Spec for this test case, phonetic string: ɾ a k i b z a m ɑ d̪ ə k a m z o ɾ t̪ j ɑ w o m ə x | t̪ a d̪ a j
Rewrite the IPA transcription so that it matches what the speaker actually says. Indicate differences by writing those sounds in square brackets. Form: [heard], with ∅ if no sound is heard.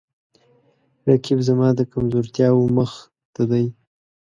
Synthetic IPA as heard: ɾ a k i b z a m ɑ d̪ ə k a m z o ɾ t̪ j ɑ w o m ə x | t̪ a d̪ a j